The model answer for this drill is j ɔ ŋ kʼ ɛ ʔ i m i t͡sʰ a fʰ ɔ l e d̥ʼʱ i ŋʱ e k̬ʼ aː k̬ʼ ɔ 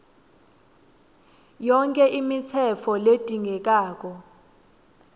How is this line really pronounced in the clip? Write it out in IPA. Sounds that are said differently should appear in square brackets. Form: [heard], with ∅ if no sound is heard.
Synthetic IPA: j ɔ ŋ kʼ ɛ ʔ i m i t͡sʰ [ɛ] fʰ ɔ l e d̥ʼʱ i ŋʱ [ɛ] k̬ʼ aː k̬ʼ ɔ